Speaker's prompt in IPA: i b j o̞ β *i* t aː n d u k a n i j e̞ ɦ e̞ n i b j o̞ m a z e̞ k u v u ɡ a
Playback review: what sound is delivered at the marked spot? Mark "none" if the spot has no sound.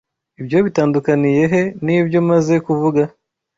i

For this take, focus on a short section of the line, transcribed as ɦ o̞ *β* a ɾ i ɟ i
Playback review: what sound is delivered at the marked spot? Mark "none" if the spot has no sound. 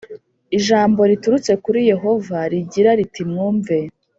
v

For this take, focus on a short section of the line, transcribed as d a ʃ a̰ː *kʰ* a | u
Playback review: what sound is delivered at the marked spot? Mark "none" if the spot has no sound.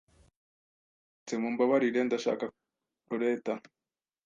k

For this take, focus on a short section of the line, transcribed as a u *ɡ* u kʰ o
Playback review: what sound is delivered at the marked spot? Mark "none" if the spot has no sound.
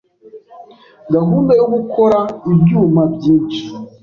ɡ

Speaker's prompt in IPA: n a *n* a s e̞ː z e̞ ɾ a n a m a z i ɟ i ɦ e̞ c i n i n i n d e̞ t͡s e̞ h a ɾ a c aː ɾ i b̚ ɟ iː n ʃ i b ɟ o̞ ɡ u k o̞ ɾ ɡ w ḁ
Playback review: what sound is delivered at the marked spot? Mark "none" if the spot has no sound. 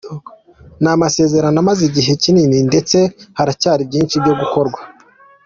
m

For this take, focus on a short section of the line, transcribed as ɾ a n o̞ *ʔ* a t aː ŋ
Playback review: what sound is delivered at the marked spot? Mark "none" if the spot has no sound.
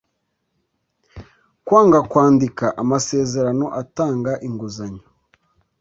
ʔ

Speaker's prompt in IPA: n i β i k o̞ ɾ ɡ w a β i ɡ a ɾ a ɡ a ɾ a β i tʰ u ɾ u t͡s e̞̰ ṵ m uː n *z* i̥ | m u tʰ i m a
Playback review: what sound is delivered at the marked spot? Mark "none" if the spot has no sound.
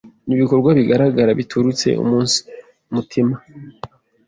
s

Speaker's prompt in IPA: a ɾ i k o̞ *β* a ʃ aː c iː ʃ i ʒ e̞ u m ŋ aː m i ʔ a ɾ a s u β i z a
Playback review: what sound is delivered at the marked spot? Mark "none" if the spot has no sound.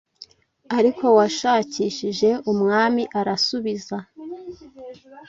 w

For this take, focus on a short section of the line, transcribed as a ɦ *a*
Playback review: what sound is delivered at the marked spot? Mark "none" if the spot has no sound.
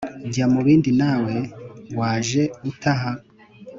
a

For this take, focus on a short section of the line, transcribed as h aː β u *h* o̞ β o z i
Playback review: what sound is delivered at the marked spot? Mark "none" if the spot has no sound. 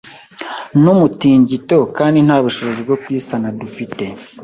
ʃ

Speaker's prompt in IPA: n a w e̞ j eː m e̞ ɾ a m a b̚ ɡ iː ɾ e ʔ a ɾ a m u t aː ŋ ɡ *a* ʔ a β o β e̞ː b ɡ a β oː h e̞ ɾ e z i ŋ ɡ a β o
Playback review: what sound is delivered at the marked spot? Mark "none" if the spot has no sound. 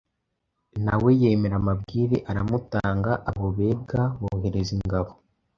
a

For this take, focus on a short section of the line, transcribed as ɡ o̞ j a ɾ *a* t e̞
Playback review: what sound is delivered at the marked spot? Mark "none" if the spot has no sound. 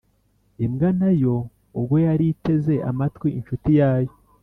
i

